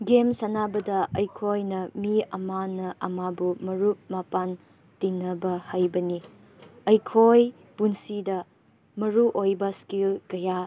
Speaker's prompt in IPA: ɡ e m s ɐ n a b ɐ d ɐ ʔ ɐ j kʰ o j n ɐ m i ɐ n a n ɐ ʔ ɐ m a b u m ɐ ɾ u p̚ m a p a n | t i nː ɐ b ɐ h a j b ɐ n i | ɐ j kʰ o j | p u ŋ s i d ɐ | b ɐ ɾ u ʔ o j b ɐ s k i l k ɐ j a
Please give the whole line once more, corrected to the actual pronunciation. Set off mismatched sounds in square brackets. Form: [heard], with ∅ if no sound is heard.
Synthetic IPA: ɡ e m s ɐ n a b ɐ d ɐ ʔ ɐ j kʰ o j n ɐ m i ɐ [m] a n ɐ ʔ ɐ m a b u m ɐ ɾ u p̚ m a p a n | t i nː ɐ b ɐ h a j b ɐ n i | ɐ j kʰ o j | p u [n] s i d ɐ | [m] ɐ ɾ u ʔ o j b ɐ s k i l k ɐ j a

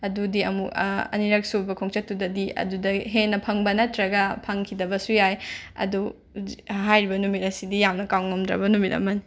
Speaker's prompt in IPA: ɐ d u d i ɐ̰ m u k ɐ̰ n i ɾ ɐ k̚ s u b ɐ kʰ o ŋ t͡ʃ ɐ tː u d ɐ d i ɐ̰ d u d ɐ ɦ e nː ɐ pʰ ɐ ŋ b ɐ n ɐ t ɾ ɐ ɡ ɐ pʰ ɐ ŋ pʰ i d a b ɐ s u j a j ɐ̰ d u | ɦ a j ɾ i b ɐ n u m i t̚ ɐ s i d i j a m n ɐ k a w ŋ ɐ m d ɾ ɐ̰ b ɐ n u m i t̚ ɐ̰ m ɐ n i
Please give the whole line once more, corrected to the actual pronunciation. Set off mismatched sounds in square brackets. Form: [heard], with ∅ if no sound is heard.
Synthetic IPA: ɐ d u d i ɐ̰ m u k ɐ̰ n i ɾ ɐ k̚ s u b ɐ kʰ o ŋ t͡ʃ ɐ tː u d ɐ d i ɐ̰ d u d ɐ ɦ e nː ɐ pʰ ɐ ŋ b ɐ n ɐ t ɾ ɐ ɡ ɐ pʰ ɐ ŋ [kʰ] i d [ɐ] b ɐ s u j a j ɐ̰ d u | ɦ a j ɾ i b ɐ n u m i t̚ ɐ s i d i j a m n ɐ k a w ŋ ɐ m d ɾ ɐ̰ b ɐ n u m i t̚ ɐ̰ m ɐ n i

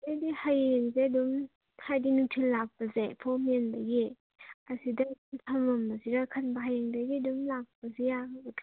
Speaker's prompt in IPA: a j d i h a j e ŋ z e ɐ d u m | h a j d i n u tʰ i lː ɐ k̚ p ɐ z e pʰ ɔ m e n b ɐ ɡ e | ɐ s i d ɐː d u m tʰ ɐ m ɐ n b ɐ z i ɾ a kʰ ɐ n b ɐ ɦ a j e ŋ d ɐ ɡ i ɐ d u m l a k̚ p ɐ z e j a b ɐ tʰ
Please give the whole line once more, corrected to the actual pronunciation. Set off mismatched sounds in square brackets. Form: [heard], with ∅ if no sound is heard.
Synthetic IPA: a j d i h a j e ŋ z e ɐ d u m | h a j d i n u tʰ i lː [a] k̚ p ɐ z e pʰ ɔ m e n b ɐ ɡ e | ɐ s i d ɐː d u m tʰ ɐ m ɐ [m] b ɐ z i ɾ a kʰ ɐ n b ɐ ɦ a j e ŋ d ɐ ɡ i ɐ d u m l a k̚ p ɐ z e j a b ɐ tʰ

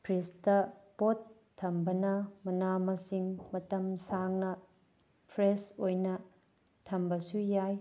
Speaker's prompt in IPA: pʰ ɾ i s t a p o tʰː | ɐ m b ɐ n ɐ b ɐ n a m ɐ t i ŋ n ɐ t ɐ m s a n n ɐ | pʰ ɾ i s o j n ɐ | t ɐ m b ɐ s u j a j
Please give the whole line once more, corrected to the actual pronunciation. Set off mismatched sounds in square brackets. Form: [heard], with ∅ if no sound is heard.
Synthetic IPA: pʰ ɾ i s t [ɐ] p o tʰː | ɐ m b ɐ n ɐ [m] ɐ n a m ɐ [s] i ŋ [m] ɐ t ɐ m s a [ŋ] n ɐ | pʰ ɾ [e] s o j n ɐ | [tʰ] ɐ m b ɐ s u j a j

